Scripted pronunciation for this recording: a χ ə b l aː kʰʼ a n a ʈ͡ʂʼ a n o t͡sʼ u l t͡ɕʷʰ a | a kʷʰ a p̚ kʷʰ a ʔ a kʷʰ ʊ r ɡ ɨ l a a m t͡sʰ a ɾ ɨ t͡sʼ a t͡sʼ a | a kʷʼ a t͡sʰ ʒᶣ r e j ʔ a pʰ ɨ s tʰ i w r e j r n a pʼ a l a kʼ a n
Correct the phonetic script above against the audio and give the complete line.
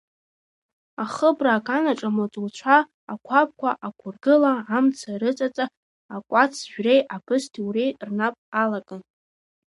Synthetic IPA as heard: a χ ə b r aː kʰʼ a n a ʈ͡ʂʼ a m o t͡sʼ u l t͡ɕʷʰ a | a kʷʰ a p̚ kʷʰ a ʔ a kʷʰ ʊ r ɡ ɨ l a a m t͡sʰ a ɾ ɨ t͡sʼ a t͡sʼ a | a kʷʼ a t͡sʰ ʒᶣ r e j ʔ a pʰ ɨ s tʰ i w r e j r n a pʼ a l a kʼ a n